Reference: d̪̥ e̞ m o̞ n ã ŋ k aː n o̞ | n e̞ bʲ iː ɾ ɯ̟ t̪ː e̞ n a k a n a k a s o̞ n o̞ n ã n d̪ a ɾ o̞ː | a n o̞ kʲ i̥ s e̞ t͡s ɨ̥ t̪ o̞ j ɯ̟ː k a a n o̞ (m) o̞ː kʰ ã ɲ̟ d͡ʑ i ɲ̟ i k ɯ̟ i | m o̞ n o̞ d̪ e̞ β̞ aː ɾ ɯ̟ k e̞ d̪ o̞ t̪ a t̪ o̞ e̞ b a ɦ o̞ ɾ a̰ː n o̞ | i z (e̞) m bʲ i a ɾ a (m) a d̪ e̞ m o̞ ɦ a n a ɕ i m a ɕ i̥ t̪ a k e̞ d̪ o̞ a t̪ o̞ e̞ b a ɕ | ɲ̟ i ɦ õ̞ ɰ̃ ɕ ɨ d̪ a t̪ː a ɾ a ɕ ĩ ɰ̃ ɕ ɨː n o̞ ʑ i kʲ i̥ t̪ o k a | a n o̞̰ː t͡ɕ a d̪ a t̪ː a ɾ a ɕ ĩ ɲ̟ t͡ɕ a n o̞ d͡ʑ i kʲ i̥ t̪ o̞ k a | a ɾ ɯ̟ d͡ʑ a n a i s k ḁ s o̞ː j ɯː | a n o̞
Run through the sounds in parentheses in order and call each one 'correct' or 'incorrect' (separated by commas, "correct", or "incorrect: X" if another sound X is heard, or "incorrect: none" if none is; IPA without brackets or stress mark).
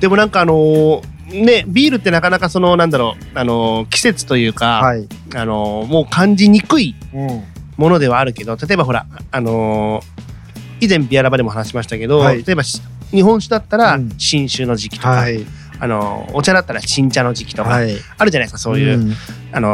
correct, incorrect: ẽ̞, incorrect: b